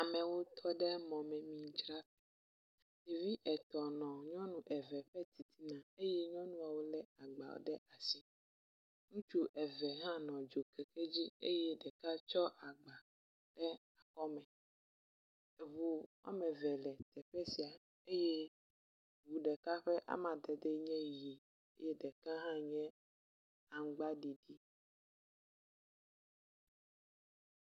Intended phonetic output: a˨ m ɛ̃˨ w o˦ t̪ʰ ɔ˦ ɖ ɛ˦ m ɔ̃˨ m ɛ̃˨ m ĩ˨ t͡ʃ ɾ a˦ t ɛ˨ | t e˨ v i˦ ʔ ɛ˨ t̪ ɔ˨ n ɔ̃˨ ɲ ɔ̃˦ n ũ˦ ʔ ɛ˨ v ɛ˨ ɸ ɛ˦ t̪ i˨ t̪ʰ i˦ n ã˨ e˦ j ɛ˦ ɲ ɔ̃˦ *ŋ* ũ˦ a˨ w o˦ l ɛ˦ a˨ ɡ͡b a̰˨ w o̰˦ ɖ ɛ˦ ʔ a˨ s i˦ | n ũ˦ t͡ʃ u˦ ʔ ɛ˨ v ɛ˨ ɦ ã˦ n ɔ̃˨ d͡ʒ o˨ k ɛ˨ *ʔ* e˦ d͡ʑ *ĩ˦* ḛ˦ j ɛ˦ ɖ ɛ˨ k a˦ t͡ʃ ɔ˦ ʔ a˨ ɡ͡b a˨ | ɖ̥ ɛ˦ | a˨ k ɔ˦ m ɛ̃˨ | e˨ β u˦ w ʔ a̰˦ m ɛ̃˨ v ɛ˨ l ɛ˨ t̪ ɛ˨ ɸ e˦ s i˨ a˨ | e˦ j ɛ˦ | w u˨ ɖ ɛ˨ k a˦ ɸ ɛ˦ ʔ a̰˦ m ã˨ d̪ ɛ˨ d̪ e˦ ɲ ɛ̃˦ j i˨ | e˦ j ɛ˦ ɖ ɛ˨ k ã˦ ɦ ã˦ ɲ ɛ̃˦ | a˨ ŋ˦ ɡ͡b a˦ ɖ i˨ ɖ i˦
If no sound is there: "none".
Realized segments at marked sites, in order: n, k, i˦

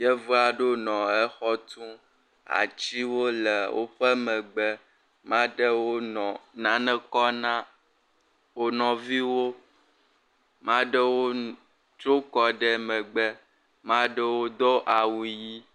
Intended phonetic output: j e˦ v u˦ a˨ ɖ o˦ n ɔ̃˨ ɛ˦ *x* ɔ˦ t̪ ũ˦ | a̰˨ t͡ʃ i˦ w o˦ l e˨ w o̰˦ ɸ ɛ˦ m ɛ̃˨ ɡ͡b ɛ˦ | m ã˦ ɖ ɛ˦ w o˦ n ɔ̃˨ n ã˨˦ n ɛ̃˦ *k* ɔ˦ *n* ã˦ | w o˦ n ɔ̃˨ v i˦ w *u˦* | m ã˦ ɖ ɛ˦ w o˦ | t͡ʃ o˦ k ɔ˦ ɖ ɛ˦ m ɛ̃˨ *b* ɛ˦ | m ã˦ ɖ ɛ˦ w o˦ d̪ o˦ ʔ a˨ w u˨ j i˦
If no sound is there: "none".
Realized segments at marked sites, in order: x, k, n, o˦, ɡ͡b

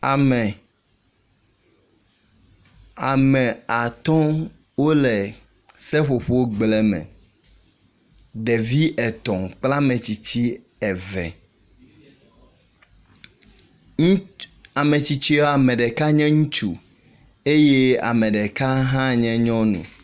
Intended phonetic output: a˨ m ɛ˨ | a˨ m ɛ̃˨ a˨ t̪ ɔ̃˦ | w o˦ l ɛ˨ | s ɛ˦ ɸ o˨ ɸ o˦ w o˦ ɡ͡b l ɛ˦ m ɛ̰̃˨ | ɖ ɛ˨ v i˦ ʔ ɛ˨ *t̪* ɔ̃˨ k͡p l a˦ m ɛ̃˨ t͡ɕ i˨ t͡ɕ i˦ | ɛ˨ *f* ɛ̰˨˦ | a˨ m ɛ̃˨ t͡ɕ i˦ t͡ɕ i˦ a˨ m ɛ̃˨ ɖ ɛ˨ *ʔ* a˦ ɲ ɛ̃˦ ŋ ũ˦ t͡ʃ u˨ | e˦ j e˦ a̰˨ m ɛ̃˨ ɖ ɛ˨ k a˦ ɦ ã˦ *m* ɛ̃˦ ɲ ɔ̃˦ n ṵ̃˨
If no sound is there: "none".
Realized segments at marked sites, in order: t̪, v, k, ɲ

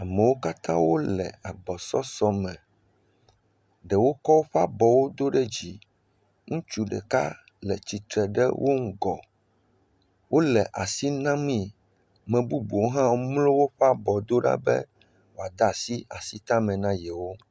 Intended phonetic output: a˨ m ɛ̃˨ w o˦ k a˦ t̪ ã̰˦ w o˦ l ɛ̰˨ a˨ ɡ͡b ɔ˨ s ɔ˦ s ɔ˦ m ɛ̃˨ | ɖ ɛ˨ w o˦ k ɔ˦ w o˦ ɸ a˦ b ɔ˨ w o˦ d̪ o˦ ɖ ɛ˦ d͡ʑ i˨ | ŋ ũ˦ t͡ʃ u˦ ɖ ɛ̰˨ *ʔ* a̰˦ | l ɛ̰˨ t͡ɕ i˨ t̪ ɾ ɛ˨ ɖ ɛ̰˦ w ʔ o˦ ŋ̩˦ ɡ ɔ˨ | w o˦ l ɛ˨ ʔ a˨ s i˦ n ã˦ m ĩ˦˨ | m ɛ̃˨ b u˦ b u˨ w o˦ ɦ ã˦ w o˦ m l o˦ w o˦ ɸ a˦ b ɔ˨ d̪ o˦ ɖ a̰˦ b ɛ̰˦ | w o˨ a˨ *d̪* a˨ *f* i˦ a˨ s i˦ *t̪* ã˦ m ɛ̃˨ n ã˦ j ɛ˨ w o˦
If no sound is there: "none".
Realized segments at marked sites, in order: k, d̪, s, t̪

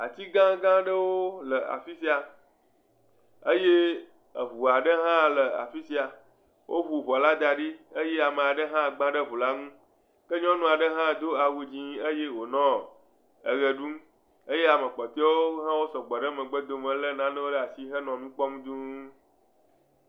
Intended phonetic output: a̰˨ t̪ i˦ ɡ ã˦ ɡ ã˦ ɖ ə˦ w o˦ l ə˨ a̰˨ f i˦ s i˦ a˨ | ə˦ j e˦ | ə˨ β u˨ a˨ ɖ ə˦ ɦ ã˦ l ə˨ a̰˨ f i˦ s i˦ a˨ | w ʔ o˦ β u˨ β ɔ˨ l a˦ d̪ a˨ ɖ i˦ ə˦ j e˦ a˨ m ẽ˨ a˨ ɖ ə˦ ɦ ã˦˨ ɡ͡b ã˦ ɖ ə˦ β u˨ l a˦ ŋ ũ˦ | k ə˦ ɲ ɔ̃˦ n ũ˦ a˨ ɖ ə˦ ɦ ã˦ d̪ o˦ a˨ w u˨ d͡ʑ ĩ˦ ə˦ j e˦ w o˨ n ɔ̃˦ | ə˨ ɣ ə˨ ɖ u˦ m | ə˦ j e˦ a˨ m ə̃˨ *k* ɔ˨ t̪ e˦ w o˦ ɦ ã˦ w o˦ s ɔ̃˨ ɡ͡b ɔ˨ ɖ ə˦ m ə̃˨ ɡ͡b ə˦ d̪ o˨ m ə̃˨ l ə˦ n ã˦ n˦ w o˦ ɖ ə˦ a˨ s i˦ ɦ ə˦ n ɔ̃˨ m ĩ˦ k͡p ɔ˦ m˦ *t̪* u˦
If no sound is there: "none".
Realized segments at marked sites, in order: k͡p, d̪

